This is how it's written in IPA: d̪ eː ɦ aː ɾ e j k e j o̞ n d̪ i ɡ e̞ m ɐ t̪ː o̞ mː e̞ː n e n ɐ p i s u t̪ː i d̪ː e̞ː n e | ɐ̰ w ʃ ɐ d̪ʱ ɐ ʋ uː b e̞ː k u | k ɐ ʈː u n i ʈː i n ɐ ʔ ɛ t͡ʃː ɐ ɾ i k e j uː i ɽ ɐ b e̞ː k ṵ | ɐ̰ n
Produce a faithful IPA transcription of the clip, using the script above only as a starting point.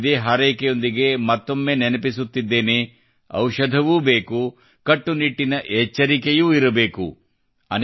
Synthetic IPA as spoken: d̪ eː ɦ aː ɾ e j k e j o̞ n d̪ i ɡ e̞ m ɐ t̪ː o̞ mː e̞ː n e n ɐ p i s u t̪ː i d̪ː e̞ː n e | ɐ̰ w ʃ ɐ d̪ʱ ɐ ʋ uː b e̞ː k u | k ɐ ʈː u n i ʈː i n ɐ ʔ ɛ t͡ʃː ɐ ɾ i k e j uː i ɾ ɐ b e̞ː k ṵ | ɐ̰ n